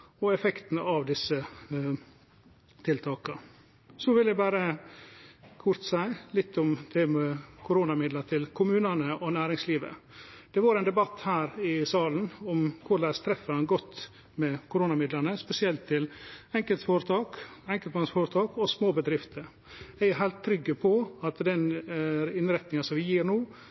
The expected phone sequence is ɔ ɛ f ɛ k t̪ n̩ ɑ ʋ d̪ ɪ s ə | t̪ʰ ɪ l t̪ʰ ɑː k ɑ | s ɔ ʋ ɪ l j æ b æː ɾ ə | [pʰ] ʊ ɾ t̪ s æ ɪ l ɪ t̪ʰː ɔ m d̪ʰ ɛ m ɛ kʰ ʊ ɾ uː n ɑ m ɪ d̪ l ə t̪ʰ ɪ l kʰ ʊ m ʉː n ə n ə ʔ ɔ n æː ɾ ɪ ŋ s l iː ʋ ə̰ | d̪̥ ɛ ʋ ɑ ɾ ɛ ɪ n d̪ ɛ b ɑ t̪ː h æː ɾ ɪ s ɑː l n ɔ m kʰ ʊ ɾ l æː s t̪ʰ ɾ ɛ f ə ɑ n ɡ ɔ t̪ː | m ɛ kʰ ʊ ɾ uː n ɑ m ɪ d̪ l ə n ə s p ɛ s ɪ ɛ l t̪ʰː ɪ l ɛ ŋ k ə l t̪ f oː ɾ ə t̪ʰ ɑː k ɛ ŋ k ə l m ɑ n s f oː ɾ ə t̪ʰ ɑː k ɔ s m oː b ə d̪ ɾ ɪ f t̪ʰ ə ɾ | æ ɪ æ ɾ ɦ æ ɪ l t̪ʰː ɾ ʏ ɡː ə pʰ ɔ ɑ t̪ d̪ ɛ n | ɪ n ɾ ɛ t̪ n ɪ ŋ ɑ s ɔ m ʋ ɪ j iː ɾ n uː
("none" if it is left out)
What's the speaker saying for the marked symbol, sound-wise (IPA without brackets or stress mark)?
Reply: kʰ